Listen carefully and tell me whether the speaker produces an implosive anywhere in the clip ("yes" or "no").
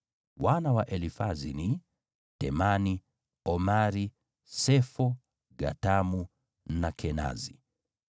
no